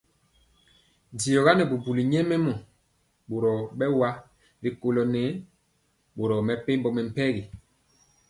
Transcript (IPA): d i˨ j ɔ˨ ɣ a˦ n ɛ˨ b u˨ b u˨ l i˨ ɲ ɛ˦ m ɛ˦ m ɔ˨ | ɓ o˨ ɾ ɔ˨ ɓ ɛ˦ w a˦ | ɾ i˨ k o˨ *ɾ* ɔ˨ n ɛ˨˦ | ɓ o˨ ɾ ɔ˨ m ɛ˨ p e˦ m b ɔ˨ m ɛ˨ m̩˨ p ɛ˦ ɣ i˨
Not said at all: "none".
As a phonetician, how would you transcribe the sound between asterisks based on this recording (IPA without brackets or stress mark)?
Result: l